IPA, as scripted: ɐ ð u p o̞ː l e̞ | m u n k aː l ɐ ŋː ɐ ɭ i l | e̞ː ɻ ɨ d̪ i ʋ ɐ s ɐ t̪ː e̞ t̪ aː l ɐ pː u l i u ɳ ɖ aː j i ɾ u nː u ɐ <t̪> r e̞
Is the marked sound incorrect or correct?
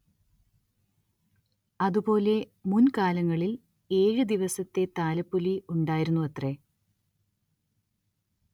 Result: correct